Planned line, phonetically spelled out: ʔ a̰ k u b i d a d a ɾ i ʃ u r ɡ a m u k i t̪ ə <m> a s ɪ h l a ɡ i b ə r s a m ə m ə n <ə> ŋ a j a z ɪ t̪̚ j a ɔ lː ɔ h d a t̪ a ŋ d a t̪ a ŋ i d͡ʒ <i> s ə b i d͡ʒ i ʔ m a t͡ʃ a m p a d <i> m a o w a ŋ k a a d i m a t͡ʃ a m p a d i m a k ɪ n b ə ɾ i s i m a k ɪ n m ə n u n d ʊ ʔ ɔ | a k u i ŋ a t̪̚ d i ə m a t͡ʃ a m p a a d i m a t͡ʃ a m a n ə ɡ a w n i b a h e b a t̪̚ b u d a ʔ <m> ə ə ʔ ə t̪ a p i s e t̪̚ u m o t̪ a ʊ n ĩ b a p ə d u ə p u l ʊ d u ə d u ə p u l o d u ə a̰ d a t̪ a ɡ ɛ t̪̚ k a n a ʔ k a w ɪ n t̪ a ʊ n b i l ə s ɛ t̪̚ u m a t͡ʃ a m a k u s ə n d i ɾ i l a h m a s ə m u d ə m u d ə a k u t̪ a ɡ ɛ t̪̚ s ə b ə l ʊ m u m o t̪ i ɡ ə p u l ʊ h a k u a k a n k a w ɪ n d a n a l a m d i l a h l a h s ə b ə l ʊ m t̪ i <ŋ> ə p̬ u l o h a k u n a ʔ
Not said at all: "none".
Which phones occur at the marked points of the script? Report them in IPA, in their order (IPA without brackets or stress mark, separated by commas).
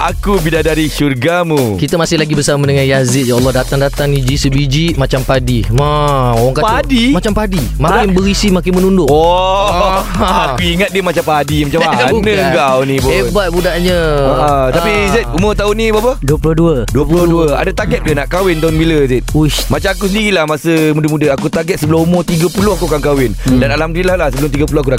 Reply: m, ə, i, i, ɲ, ɡ